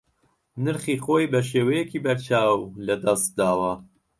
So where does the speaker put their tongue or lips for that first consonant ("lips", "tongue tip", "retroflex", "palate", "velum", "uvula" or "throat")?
tongue tip